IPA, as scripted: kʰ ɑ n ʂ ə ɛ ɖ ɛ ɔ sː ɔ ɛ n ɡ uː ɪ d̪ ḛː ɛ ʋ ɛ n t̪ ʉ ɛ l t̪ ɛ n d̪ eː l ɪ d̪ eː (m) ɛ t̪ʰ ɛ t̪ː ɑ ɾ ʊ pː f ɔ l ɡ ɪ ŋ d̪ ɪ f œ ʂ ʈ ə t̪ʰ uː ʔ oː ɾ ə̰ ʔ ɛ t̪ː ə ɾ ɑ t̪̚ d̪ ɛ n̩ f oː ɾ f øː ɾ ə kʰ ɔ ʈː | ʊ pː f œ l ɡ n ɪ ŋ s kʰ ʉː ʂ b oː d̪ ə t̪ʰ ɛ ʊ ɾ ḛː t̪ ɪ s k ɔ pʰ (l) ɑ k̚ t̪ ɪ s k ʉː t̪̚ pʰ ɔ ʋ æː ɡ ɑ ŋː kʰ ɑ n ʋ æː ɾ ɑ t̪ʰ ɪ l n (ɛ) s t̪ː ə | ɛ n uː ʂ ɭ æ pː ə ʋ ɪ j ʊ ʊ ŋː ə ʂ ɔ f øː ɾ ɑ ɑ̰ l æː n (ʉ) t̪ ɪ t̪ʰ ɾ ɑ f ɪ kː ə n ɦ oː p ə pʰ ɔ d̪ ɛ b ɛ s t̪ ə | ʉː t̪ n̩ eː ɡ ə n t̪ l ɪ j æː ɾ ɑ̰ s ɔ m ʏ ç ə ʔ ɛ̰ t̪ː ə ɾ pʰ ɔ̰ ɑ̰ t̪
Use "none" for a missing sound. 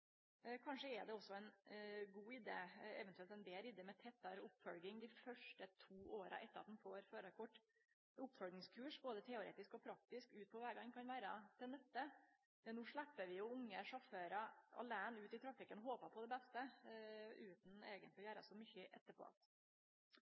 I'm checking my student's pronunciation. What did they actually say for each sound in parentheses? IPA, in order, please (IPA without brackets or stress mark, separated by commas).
m, ɾ, ɛ, ʉː